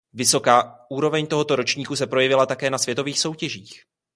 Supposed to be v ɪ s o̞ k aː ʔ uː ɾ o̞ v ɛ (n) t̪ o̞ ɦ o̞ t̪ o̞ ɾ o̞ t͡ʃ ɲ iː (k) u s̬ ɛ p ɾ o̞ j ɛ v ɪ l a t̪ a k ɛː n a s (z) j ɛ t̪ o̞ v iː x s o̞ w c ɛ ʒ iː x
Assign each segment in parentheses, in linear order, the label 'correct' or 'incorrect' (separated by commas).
incorrect, correct, incorrect